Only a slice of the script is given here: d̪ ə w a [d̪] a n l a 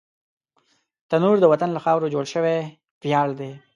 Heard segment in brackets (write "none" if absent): t̪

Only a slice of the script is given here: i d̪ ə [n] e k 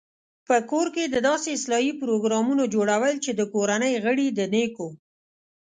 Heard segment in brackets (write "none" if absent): n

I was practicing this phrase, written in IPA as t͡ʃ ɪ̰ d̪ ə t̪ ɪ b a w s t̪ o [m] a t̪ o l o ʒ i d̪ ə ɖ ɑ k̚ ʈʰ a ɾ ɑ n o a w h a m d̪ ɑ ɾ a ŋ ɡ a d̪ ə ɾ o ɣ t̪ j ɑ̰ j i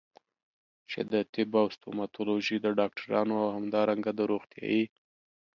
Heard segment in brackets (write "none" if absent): m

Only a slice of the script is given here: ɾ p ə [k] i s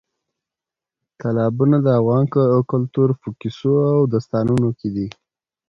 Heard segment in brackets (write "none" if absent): k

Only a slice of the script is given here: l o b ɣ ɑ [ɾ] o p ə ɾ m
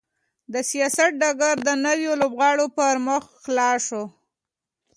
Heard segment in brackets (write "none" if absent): ɽ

